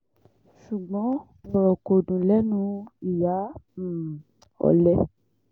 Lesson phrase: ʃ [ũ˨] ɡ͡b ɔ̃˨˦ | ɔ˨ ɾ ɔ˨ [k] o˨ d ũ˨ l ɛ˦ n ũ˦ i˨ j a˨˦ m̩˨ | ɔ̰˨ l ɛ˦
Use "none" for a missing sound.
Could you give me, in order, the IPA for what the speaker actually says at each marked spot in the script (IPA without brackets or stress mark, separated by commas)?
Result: u˨, k